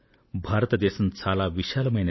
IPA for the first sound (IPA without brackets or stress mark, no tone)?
bʱ